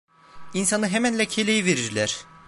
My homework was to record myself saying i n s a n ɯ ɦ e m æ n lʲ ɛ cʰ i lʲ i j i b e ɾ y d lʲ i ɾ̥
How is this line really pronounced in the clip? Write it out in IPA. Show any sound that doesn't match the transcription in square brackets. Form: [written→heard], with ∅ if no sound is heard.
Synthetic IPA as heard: i n s a n ɯ ɦ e m æ n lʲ ɛ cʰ [i→e] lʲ [i→e] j i [b→v] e ɾ [y→i] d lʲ [i→æ] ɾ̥